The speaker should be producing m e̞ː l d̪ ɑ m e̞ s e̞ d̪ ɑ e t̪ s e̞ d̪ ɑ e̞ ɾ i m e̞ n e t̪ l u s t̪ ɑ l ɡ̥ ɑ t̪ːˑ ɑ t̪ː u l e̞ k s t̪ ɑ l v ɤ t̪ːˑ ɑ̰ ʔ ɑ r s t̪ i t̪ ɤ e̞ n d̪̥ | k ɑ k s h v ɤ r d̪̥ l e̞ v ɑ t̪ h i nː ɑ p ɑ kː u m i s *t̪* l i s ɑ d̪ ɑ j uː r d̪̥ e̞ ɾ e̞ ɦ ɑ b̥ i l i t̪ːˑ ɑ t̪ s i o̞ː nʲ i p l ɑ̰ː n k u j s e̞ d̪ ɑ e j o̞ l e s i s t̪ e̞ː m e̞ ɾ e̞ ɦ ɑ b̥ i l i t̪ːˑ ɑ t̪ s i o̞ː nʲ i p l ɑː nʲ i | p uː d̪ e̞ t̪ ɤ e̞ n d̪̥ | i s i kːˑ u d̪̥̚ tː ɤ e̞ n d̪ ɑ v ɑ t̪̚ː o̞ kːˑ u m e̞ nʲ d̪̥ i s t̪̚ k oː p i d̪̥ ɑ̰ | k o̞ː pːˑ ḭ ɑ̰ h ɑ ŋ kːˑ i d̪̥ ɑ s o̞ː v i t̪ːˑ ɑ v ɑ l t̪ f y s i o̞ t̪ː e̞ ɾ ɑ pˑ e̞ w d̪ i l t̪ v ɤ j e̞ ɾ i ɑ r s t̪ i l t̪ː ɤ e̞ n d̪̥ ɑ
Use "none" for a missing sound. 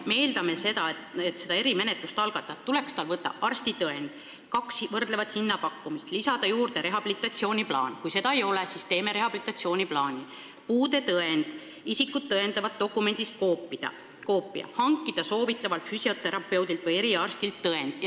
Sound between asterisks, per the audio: t̪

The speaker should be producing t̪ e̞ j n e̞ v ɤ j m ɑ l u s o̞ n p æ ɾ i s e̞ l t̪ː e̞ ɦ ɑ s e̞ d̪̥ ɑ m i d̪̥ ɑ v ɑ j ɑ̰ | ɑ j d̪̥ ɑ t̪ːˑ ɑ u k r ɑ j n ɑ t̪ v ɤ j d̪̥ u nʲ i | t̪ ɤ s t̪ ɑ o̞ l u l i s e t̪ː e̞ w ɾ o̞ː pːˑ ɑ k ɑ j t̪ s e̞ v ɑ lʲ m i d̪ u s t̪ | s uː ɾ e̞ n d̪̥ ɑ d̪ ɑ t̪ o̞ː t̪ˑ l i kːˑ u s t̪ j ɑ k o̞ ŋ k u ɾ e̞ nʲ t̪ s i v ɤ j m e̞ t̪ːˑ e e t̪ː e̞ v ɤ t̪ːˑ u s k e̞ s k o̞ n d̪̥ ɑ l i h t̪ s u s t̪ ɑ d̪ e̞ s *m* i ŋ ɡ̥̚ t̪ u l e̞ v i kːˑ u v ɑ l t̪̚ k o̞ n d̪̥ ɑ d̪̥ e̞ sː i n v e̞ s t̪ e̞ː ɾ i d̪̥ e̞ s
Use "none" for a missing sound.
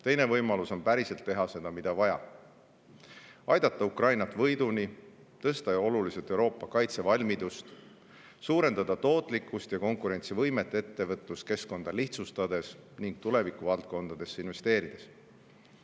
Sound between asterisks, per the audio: n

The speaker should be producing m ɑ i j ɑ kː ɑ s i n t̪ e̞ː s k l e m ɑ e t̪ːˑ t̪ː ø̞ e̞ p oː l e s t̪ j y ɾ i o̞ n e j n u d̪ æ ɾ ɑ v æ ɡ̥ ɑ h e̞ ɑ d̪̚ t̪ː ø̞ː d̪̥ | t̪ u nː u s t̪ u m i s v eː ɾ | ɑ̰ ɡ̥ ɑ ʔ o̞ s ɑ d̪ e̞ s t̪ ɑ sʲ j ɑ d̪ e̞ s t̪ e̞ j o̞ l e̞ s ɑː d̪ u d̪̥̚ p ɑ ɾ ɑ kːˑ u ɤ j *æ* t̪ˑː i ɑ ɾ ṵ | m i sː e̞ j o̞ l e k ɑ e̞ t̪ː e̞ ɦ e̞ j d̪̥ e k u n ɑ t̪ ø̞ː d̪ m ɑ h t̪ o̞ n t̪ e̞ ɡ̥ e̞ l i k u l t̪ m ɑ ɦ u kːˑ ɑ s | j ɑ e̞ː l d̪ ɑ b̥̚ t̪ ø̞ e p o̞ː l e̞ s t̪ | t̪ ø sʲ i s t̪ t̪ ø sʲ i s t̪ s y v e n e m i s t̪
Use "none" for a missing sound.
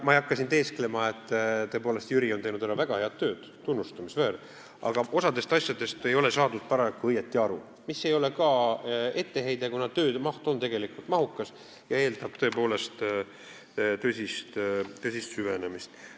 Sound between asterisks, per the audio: e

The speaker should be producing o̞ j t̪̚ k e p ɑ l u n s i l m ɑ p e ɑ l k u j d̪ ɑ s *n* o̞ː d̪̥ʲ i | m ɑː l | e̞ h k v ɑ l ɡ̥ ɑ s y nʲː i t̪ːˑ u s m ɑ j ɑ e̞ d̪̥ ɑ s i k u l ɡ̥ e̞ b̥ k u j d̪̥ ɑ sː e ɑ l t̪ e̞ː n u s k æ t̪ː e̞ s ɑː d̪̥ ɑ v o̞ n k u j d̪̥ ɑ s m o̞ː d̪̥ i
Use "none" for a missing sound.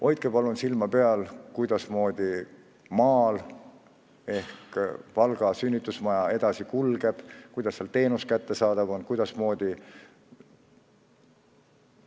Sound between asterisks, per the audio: m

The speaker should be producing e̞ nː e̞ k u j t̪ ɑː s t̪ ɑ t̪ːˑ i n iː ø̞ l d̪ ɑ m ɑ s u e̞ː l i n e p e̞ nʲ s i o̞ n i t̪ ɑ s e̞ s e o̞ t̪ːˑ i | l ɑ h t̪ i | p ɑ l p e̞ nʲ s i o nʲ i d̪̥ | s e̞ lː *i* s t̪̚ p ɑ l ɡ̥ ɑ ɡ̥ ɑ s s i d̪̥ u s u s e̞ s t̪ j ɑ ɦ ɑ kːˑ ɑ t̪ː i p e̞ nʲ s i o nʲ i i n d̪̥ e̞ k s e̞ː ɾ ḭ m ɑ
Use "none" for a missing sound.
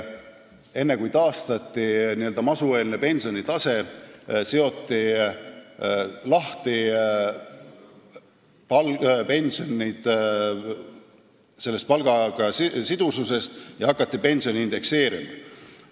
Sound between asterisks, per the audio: e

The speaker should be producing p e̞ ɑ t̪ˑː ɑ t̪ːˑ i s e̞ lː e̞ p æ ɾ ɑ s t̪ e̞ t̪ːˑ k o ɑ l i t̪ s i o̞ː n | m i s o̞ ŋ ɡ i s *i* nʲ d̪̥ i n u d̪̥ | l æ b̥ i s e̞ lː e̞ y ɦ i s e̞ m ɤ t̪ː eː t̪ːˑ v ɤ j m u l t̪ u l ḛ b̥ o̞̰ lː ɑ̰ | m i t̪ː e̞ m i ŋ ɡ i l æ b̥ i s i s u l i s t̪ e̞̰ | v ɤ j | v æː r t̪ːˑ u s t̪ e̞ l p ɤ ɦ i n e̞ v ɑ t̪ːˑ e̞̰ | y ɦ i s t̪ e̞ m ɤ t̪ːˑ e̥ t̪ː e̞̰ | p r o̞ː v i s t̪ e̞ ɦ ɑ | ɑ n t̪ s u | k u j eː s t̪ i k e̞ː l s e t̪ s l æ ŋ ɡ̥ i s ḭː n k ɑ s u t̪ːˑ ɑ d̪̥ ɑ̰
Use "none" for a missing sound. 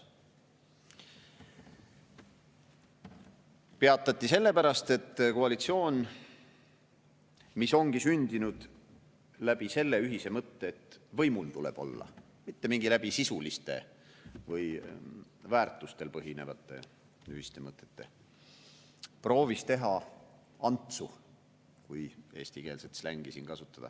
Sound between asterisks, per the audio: y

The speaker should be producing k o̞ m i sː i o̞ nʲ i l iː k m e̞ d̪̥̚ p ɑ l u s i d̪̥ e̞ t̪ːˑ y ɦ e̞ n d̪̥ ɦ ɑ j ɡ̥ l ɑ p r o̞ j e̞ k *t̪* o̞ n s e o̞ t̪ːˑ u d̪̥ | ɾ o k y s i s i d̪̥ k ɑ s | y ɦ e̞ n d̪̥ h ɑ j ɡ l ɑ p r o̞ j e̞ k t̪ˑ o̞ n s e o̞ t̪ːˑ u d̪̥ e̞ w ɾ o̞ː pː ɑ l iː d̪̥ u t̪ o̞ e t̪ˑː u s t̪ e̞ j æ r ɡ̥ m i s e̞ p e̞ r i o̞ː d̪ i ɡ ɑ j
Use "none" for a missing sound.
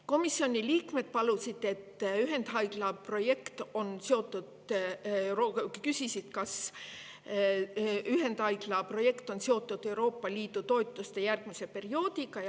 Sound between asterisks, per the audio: t̪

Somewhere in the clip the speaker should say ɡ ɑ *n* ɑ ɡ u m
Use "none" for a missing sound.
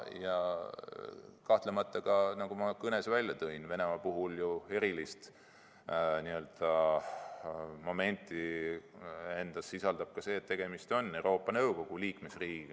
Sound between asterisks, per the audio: n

